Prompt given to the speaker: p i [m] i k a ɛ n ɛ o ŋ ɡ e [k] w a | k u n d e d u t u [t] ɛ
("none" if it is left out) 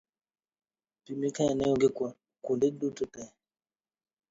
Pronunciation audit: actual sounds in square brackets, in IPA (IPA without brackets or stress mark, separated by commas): m, k, t